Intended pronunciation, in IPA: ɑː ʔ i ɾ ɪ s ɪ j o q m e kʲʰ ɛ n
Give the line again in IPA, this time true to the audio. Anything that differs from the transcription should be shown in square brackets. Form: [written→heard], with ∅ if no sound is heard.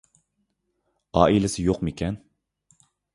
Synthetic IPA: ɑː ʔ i [ɾ→l] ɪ s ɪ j o q m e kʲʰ ɛ n